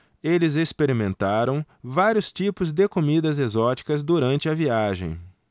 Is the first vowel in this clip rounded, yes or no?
no